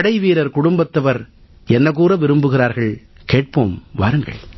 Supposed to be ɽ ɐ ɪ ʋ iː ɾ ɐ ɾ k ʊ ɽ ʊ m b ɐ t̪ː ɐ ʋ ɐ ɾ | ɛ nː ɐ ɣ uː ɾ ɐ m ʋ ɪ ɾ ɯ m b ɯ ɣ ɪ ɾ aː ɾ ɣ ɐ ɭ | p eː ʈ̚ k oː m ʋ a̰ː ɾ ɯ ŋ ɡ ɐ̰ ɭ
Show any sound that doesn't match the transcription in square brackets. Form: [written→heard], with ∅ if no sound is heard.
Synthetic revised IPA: ɽ ɐ ɪ ʋ iː ɾ ɐ ɾ k ʊ ɽ ʊ m b ɐ t̪ː ɐ ʋ ɐ ɾ | ɛ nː ɐ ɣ uː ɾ ɐ [m→∅] ʋ ɪ ɾ ɯ m b ɯ ɣ ɪ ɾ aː ɾ ɣ ɐ ɭ | [p→k] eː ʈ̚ [k→p] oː m ʋ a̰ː ɾ ɯ ŋ ɡ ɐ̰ ɭ